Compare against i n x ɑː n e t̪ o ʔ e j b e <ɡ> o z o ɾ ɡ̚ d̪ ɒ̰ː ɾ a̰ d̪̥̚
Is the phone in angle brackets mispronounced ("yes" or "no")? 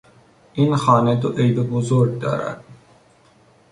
yes